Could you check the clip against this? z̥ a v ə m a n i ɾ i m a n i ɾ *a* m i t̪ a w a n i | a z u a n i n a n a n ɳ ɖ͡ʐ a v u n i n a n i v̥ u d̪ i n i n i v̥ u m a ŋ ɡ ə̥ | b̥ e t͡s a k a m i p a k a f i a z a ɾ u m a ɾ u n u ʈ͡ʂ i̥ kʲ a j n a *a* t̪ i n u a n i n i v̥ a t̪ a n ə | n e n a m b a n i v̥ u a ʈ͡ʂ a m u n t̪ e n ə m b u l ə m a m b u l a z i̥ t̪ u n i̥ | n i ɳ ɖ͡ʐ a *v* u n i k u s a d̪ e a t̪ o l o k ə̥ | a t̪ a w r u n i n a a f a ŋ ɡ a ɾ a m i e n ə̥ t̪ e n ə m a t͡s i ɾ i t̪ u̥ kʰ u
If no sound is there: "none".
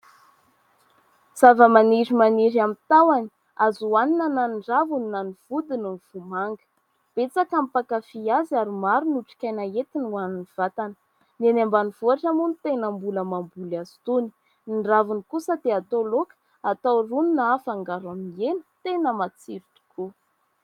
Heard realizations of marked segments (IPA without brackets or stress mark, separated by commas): a, e, v